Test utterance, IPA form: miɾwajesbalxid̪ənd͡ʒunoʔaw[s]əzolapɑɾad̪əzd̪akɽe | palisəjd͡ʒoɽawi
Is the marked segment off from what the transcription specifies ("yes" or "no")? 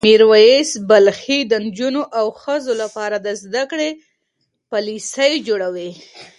yes